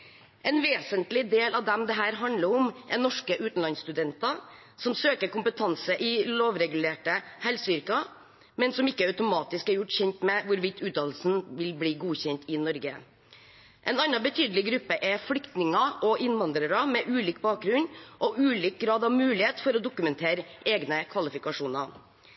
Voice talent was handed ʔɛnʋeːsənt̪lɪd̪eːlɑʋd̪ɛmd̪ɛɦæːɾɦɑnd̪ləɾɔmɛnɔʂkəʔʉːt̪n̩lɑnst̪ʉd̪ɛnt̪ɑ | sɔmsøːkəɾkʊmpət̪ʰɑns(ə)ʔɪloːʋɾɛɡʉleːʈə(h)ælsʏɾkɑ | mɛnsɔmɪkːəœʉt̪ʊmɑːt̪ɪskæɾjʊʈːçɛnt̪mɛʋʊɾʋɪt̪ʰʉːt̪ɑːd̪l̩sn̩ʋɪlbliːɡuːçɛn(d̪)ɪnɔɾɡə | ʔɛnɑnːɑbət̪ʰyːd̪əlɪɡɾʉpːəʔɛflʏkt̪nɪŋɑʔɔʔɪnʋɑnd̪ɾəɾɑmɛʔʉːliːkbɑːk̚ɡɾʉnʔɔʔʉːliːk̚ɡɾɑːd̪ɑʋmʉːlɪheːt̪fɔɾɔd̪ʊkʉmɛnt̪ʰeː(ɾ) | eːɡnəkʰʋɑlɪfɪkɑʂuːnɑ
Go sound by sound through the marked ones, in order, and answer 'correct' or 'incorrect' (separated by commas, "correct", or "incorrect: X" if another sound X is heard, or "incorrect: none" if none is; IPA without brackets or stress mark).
correct, correct, incorrect: t̪, correct